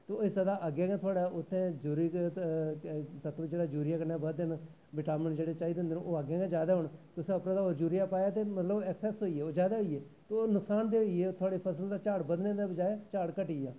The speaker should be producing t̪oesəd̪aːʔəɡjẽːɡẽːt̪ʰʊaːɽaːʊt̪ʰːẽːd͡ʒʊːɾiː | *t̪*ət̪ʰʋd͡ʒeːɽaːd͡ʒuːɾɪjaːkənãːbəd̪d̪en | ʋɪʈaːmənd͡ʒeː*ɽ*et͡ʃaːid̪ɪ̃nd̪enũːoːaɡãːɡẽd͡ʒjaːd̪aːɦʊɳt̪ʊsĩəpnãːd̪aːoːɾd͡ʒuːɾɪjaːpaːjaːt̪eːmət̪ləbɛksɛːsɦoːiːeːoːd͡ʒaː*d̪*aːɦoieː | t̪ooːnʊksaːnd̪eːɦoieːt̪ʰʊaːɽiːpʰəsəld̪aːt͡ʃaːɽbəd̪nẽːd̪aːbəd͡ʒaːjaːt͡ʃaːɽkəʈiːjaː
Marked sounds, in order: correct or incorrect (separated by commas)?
correct, correct, correct